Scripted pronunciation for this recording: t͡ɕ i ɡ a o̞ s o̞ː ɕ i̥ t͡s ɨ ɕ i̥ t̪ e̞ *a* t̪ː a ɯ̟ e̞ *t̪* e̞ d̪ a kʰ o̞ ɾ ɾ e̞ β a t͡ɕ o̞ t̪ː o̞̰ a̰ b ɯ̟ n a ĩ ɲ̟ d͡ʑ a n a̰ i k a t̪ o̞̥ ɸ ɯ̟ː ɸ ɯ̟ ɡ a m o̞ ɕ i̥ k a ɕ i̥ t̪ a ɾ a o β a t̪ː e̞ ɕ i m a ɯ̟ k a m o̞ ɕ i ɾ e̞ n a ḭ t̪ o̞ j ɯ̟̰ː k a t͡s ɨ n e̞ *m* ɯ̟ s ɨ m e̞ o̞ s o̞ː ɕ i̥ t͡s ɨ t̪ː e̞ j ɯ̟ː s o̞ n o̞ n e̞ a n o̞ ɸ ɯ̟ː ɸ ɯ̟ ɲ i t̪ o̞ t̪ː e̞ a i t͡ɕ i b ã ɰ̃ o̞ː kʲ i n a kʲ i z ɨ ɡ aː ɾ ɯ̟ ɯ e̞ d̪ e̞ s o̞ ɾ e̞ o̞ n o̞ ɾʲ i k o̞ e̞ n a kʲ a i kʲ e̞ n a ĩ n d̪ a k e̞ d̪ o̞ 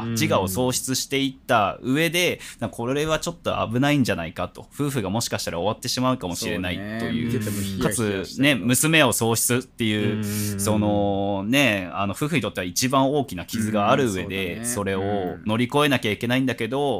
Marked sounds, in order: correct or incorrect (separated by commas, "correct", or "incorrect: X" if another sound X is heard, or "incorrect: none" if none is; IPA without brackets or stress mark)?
incorrect: i, incorrect: d̪, correct